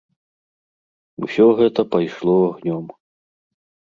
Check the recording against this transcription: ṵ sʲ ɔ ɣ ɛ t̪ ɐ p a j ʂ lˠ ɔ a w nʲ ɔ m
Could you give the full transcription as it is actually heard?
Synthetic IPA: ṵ sʲ ɔ ɣ ɛ t̪ ɐ p a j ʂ lˠ ɔ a ɣ nʲ ɔ m